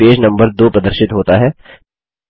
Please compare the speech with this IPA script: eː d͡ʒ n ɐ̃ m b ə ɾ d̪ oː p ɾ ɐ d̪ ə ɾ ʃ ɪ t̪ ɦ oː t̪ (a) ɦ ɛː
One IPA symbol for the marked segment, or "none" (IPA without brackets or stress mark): a